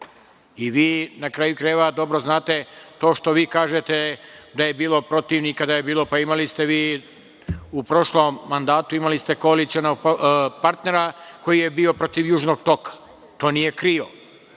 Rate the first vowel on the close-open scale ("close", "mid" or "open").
close